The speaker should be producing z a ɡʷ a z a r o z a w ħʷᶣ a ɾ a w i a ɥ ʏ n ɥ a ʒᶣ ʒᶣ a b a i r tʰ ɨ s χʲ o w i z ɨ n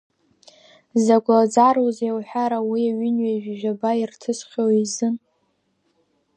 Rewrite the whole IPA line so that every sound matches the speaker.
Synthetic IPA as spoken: z a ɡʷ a d͡z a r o z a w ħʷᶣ a ɾ a w i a ɥ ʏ n ɥ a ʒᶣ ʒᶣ a b a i r tʰ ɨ s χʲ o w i z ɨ n